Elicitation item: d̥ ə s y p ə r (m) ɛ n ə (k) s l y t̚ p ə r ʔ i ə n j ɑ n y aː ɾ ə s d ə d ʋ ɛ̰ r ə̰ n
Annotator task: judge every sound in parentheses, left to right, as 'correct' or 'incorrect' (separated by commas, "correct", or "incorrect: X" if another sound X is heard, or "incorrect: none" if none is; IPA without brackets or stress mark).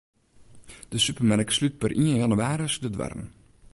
correct, correct